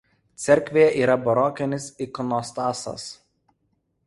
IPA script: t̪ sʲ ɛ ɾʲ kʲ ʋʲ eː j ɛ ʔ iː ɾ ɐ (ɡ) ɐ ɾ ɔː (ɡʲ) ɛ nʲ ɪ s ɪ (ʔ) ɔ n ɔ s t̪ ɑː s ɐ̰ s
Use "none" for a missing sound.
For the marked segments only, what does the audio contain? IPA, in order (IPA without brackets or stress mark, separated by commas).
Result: b, kʲ, k